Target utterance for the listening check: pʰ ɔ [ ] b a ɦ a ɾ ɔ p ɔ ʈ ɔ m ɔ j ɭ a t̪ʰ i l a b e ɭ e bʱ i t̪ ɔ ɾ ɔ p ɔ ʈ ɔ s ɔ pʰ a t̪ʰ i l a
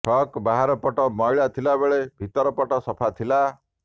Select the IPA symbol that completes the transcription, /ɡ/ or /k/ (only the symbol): k